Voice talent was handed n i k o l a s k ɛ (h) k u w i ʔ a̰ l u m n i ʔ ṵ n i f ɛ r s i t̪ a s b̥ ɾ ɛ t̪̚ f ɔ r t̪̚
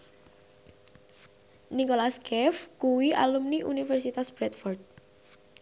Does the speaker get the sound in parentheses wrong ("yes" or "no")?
yes